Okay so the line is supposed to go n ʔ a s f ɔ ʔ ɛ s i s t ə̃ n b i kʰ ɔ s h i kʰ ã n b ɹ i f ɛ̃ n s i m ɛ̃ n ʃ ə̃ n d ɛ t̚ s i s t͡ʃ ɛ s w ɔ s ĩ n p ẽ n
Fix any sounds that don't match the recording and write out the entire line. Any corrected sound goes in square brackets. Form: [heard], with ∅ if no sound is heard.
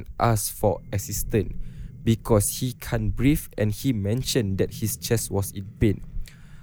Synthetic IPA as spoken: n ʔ a s f ɔ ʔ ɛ s i s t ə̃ n b i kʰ ɔ s h i kʰ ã n b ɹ i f ɛ̃ n [h] i m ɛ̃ n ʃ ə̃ n d ɛ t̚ [h] i s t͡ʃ ɛ s w ɔ s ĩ n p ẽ n